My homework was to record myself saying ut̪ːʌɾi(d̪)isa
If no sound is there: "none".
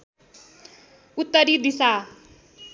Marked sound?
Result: d̪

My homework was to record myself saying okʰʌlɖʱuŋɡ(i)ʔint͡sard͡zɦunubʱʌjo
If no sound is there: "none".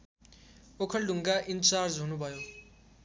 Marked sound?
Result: a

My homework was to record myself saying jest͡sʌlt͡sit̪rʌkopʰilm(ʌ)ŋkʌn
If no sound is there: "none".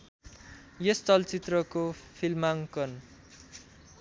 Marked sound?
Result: a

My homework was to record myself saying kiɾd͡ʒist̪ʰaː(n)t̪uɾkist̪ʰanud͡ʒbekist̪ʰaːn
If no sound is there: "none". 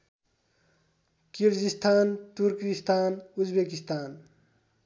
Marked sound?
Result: n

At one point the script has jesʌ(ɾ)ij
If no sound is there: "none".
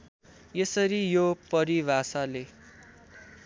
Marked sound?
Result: ɾ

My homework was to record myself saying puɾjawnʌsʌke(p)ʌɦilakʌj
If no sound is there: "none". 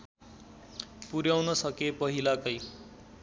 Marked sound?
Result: p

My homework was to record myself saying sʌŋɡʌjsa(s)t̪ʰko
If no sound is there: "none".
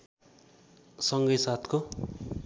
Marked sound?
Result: none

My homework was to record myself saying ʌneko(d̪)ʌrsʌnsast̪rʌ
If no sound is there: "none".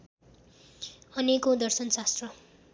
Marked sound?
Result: d̪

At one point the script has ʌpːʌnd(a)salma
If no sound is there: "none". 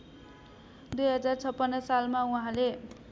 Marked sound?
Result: ʌ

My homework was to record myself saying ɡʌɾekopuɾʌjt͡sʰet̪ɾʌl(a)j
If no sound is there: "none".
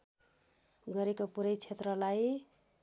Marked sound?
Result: a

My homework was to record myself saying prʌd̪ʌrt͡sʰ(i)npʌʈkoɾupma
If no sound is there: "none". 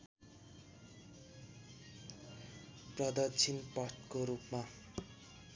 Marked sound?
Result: i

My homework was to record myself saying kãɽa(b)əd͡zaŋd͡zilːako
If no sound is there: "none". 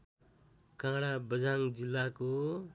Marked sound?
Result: b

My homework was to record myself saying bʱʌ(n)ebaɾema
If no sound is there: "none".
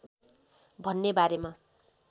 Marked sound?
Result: nː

